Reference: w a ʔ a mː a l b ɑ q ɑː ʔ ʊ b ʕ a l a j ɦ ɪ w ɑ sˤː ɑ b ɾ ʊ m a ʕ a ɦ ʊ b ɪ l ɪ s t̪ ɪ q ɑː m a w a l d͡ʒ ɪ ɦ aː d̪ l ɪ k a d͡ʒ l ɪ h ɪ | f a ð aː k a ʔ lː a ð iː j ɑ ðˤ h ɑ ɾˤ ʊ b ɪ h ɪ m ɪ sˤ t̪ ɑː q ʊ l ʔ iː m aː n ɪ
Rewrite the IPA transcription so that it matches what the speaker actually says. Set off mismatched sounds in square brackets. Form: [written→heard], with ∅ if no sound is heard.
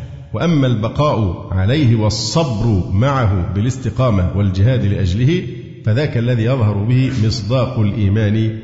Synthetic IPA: w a ʔ a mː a l b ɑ q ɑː ʔ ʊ [b→∅] ʕ a l a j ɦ ɪ w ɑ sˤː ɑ b ɾ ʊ m a ʕ a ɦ ʊ b ɪ l ɪ s t̪ ɪ q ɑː m a w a l d͡ʒ ɪ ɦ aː d̪ l ɪ [k→ʔ] a d͡ʒ l ɪ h ɪ | f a ð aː k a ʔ lː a ð iː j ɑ ðˤ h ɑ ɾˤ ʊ b ɪ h ɪ m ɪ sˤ [t̪→d̪] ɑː q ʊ l ʔ iː m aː n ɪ